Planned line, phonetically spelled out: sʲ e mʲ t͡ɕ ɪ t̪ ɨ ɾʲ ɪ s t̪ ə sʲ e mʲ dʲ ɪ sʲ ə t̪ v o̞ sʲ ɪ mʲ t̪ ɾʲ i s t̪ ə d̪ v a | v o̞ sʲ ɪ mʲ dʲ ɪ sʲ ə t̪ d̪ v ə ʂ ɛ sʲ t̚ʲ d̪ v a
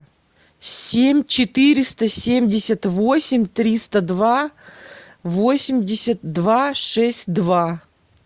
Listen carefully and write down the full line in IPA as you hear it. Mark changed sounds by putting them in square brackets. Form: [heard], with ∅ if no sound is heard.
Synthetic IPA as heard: sʲ e mʲ t͡ɕ ɪ t̪ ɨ ɾʲ ɪ s t̪ ə sʲ e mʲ dʲ ɪ sʲ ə t̪ v o̞ sʲ ɪ mʲ t̪ ɾʲ i s t̪ ə d̪ v a | v o̞ sʲ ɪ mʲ dʲ ɪ sʲ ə t̪ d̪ v [a] ʂ ɛ sʲ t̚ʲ d̪ v a